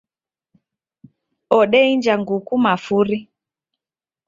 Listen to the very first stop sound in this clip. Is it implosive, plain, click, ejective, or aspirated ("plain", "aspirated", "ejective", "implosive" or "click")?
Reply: implosive